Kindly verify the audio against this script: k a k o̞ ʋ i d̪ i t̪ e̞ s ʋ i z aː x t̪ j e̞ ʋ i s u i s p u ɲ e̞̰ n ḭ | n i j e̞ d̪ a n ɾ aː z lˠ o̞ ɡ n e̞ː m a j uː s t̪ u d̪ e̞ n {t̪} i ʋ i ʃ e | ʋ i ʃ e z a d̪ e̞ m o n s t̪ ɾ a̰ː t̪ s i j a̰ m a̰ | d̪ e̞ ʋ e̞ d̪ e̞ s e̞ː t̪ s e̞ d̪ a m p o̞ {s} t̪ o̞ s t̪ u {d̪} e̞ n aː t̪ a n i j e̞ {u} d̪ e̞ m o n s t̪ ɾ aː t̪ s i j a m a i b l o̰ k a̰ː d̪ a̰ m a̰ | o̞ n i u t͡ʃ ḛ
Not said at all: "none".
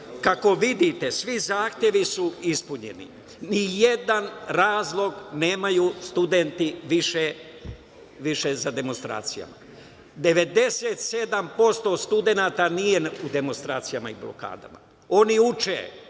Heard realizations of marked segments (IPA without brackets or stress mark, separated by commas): t̪, s, d̪, u